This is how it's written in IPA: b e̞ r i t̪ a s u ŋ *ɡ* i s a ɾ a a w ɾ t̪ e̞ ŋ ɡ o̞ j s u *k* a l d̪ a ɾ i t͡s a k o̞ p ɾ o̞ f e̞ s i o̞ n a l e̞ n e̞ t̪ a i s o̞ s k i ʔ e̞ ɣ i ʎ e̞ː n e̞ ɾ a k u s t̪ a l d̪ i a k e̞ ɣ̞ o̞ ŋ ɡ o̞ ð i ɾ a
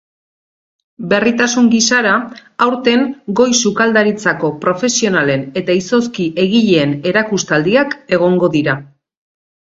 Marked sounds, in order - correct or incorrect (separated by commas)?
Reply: correct, correct